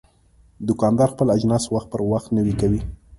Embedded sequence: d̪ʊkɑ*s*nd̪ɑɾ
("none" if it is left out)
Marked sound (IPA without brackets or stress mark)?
none